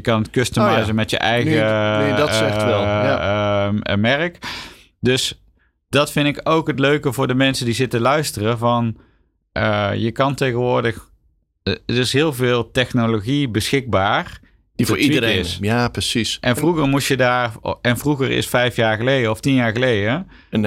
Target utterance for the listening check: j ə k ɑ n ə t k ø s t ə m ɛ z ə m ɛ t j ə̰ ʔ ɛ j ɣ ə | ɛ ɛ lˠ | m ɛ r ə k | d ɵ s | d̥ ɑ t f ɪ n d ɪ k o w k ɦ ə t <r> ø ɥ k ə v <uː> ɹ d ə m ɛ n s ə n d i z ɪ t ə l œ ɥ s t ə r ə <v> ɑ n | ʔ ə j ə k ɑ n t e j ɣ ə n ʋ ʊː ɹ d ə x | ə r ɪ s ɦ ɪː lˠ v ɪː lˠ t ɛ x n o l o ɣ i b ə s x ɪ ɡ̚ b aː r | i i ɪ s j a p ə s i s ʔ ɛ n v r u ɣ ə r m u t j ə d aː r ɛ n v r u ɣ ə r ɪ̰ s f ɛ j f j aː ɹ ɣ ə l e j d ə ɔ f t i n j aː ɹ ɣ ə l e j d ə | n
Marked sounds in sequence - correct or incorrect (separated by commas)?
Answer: incorrect, incorrect, correct